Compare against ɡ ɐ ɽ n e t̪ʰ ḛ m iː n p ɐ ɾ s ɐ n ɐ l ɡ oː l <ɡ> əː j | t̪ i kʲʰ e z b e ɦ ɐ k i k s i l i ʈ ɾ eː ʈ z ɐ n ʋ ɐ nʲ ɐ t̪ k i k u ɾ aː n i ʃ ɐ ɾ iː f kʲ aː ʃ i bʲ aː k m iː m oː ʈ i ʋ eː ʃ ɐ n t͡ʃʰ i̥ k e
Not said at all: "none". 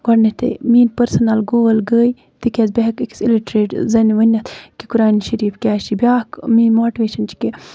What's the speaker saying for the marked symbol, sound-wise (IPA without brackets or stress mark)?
ɡ